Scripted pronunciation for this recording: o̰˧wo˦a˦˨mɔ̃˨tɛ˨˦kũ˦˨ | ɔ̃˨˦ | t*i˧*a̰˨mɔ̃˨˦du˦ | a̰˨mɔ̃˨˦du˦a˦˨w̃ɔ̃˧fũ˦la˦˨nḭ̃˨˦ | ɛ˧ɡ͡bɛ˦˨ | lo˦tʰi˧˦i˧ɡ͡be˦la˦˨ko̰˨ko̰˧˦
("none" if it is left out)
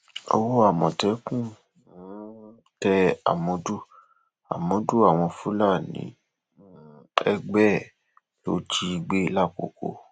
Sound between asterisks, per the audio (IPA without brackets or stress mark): ɛ˧